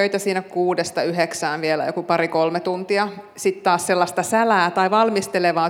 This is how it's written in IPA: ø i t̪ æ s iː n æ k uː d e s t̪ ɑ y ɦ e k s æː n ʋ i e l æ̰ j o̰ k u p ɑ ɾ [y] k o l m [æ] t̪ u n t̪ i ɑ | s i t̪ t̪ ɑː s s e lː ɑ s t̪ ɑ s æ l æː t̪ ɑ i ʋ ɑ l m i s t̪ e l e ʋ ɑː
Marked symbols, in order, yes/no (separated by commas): no, no